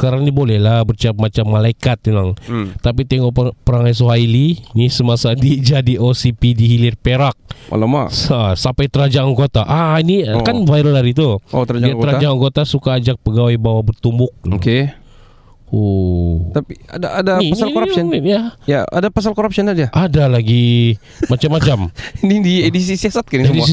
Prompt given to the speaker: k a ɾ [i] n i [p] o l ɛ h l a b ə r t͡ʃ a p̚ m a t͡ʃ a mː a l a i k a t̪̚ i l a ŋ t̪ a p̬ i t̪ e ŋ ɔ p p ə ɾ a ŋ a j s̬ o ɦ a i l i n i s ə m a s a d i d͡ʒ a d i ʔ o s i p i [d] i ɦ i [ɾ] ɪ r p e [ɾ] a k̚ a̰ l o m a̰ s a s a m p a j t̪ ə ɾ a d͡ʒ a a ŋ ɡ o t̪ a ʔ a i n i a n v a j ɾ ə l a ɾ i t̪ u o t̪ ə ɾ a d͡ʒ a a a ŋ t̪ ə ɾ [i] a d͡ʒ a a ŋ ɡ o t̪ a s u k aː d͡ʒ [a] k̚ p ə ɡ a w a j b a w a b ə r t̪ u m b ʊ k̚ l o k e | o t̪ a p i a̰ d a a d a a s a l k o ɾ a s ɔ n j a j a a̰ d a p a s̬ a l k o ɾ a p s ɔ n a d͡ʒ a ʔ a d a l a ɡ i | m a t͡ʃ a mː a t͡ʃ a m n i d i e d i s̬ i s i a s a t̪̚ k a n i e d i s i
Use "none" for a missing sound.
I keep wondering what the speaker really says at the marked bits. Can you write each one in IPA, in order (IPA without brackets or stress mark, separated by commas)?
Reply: a, b, d, l, ɾ, a, a